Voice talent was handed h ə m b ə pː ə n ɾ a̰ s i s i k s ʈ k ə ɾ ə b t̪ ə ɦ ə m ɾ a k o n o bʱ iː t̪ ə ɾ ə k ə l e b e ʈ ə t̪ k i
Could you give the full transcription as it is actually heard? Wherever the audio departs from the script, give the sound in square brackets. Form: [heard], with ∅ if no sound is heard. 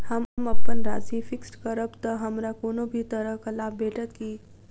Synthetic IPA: h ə m [m] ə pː ə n ɾ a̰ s i [f] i k s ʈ k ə ɾ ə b t̪ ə ɦ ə m ɾ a k o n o bʱ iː t̪ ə ɾ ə k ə l [a] b e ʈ ə t̪ k i